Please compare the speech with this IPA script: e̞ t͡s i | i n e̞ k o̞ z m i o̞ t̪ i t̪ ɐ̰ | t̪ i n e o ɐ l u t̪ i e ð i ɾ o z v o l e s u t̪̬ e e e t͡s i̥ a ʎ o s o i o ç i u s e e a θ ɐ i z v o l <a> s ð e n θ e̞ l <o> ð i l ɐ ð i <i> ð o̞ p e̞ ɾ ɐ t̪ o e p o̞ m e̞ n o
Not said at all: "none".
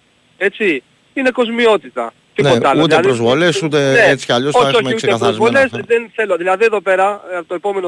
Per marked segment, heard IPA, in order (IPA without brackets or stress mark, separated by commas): e, o, e